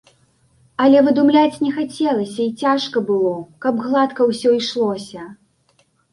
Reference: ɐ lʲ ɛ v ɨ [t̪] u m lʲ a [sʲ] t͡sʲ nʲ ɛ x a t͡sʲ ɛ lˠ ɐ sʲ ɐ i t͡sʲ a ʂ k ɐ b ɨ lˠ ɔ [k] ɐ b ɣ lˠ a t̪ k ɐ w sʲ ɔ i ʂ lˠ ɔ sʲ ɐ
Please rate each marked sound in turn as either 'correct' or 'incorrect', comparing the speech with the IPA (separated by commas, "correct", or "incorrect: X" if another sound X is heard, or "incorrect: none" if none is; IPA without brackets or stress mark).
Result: incorrect: d̪, incorrect: none, correct